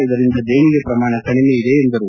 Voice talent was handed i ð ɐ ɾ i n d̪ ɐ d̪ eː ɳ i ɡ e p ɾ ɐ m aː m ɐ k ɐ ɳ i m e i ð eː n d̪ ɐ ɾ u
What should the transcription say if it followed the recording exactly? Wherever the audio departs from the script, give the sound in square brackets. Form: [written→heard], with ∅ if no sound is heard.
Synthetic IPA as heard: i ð ɐ ɾ i n d̪ ɐ d̪ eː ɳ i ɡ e p ɾ ɐ m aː [m→ɳ] ɐ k ɐ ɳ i m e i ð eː n d̪ ɐ ɾ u